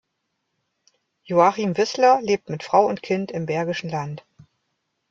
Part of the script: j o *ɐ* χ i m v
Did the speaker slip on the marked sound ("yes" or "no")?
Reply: yes